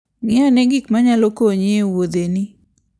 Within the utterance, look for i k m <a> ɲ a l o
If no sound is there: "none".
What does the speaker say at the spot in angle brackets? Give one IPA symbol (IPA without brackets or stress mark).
a